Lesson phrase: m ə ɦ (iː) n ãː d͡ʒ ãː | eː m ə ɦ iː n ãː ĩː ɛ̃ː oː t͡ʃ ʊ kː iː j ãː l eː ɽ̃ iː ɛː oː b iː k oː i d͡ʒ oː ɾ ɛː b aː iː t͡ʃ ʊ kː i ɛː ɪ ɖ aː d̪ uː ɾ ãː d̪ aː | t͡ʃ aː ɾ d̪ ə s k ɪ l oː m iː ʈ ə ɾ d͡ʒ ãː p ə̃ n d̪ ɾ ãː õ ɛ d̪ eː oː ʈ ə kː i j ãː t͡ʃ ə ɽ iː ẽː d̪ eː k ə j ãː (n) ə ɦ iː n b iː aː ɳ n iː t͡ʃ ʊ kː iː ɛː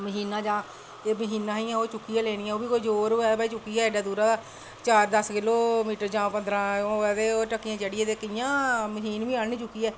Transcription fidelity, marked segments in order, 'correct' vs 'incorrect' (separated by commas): correct, incorrect